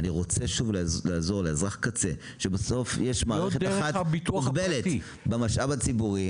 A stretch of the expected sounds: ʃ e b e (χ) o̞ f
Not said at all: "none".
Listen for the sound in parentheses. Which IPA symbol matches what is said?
s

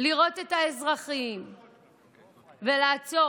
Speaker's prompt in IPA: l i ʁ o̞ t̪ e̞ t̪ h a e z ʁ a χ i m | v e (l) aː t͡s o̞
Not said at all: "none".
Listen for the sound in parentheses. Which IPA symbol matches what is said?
l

